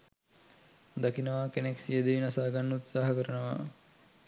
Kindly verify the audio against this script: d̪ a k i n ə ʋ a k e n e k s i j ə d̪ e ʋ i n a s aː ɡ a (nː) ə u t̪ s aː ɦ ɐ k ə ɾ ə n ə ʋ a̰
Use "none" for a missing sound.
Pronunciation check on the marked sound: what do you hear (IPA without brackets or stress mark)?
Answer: nː